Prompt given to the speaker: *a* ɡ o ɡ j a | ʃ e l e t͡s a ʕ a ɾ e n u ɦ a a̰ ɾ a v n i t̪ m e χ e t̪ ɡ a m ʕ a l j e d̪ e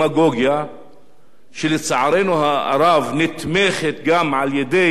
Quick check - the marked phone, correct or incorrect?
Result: correct